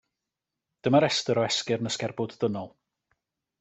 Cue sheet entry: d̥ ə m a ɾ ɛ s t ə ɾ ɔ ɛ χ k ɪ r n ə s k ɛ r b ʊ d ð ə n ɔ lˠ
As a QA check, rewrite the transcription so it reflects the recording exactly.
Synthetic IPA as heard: d̥ ə m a ɾ ɛ s t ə ɾ ɔ ɛ s k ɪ r n ə s k ɛ r b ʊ d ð ə n ɔ lˠ